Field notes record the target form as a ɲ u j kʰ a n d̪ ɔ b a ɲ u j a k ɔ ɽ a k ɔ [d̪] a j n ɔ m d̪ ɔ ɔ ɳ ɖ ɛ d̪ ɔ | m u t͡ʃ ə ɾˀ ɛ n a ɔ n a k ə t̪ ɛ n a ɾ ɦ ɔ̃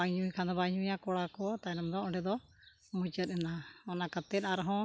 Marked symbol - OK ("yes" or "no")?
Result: no